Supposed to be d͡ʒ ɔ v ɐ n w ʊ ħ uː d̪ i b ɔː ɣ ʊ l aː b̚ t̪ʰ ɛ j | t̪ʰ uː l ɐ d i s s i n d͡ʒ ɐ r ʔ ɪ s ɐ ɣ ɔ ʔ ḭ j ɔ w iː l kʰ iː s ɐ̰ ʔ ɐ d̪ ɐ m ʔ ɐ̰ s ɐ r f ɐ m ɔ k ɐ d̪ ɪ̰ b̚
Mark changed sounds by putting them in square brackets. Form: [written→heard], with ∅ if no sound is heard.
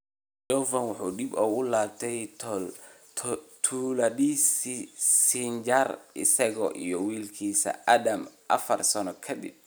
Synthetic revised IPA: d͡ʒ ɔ v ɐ n w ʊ ħ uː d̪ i b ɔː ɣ ʊ l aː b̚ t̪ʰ ɛ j | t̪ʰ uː l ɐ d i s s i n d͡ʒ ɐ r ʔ ɪ s ɐ ɣ ɔ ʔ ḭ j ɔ w iː l kʰ iː s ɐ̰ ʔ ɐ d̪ ɐ m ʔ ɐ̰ [s→f] ɐ r [f→s] ɐ [m→n] ɔ [k→kʰ] ɐ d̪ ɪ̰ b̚

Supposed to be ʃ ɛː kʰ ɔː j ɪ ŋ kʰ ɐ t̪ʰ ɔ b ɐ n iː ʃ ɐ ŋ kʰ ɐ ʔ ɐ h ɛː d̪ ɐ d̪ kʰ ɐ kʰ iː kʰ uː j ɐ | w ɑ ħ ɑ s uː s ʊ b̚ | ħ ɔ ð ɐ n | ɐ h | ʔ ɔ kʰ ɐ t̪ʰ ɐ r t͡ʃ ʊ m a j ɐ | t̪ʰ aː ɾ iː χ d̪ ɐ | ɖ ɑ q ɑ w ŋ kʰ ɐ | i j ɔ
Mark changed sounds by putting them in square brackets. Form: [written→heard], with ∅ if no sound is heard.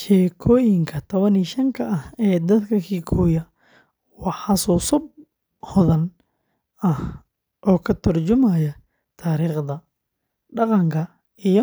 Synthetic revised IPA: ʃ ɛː kʰ ɔː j ɪ ŋ kʰ ɐ t̪ʰ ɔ [b→β] ɐ n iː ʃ ɐ ŋ kʰ ɐ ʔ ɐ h ɛː d̪ ɐ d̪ kʰ ɐ kʰ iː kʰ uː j ɐ | w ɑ ħ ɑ s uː s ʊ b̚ | [ħ→h] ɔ ð ɐ n | ɐ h | ʔ [ɔ→ɔː] kʰ ɐ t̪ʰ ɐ r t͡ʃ ʊ m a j ɐ | t̪ʰ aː ɾ iː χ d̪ ɐ | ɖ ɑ q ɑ [w→∅] ŋ kʰ ɐ | i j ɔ

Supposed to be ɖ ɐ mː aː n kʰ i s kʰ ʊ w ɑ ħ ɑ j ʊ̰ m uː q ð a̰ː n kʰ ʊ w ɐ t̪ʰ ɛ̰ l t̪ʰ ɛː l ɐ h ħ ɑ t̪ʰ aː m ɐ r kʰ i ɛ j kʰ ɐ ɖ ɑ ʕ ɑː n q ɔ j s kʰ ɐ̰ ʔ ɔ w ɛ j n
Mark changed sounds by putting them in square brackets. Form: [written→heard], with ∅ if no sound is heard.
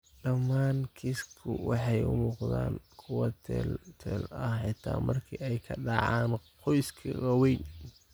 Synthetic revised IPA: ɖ ɐ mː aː n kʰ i s kʰ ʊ w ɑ ħ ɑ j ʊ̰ m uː q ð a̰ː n kʰ ʊ w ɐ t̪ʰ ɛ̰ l t̪ʰ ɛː l ɐ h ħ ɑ t̪ʰ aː m ɐ r kʰ i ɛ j kʰ ɐ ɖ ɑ ʕ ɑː n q ɔ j s kʰ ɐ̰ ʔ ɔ w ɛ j n

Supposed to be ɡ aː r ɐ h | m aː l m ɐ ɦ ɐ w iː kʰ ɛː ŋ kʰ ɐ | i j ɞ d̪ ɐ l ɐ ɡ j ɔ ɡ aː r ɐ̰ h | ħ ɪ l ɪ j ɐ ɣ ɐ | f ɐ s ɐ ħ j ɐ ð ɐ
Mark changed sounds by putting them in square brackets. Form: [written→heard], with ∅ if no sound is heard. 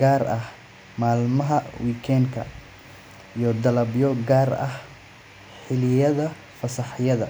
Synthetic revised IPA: ɡ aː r ɐ h | m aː l m ɐ ɦ ɐ w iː kʰ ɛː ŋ kʰ ɐ | i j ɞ d̪ ɐ l ɐ [ɡ→b] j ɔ ɡ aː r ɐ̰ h | ħ ɪ l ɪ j ɐ [ɣ→ð] ɐ | f ɐ s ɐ ħ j ɐ ð ɐ

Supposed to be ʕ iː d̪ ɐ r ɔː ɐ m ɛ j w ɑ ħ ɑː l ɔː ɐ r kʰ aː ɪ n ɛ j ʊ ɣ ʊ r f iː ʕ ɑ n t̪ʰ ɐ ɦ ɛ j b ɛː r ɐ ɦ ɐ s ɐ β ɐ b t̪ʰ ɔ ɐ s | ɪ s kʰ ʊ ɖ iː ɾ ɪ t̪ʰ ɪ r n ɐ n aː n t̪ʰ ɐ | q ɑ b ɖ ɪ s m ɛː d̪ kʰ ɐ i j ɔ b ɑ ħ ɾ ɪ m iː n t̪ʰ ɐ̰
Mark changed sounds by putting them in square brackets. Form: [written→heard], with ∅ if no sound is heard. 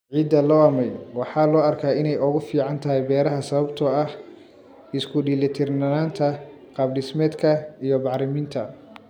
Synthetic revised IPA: ʕ iː d̪ ɐ [r→l] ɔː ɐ m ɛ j w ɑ ħ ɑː l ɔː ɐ r kʰ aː ɪ n ɛ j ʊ ɣ ʊ [r→∅] f iː ʕ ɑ n t̪ʰ ɐ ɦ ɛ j b ɛː [r→ɾ] ɐ ɦ ɐ s ɐ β ɐ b t̪ʰ ɔ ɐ [s→h] | ɪ s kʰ ʊ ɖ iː [ɾ→l] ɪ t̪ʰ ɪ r n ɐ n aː n t̪ʰ ɐ | q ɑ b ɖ ɪ s m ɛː d̪ kʰ ɐ i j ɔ b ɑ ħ ɾ ɪ m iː n t̪ʰ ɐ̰

